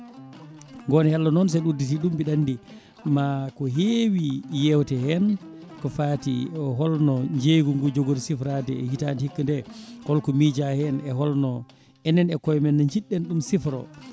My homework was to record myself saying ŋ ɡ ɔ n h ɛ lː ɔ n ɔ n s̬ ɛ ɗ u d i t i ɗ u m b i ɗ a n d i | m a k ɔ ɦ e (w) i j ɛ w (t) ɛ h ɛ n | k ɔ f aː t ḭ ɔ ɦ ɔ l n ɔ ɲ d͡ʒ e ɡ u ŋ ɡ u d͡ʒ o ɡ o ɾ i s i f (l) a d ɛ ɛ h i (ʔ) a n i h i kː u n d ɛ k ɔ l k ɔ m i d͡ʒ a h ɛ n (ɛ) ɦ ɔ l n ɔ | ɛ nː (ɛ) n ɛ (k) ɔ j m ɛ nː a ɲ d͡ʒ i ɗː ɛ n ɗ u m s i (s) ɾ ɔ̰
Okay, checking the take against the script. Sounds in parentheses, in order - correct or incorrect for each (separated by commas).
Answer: correct, correct, incorrect, incorrect, correct, correct, correct, incorrect